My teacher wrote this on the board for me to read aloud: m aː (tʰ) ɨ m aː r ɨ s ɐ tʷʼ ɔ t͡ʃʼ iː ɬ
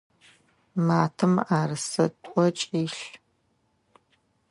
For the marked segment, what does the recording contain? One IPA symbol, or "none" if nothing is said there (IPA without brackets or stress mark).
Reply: tʰ